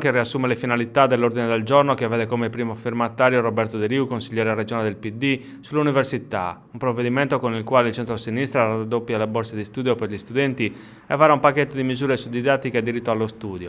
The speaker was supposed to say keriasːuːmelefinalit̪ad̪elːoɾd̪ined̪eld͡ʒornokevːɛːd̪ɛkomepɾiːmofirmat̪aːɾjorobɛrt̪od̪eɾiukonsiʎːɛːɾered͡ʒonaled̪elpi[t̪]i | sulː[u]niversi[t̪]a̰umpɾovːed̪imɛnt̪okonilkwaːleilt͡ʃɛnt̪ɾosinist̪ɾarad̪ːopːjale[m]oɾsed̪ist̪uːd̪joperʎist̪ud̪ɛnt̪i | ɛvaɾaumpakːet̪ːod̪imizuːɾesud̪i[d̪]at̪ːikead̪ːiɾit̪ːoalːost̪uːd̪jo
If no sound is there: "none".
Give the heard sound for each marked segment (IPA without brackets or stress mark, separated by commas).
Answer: d̪, u, t̪, b, d̪